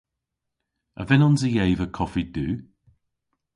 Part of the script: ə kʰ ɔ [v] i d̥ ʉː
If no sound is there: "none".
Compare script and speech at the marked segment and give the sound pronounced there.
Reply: f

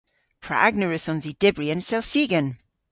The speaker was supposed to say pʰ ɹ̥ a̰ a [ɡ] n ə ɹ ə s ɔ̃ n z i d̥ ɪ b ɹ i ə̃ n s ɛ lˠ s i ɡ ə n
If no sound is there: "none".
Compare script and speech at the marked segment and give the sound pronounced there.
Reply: ɡ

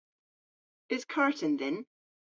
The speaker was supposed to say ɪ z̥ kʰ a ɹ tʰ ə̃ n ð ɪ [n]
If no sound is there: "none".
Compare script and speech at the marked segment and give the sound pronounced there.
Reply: n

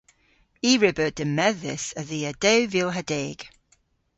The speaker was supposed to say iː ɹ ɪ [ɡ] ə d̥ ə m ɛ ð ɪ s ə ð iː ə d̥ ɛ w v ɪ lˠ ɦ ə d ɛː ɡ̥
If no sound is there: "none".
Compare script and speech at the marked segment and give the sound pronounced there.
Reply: b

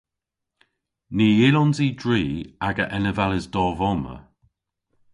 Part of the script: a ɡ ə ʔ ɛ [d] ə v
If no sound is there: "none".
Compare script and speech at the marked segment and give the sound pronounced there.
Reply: n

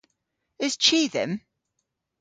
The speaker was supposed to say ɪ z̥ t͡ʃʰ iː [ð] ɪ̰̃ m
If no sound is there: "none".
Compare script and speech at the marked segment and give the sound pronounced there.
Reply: ð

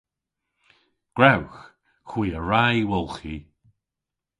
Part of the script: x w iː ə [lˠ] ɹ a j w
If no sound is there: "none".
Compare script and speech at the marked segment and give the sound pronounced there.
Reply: none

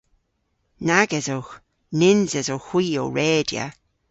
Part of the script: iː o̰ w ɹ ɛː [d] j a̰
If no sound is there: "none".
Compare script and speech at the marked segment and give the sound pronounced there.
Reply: d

